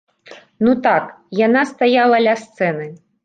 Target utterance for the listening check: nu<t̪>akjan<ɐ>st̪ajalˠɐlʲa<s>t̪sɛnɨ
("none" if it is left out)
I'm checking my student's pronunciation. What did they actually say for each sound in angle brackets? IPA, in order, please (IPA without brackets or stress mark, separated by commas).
t̪, a, s